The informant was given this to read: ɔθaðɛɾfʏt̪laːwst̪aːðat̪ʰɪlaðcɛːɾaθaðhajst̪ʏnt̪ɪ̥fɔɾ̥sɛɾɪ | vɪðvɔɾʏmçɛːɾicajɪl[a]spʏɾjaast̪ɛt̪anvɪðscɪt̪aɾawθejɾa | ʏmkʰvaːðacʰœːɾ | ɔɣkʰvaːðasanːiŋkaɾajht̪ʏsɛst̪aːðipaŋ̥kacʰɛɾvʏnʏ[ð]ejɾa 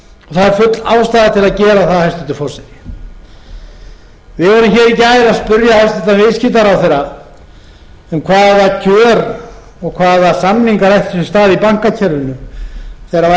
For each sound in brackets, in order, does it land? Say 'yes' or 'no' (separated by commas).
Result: yes, no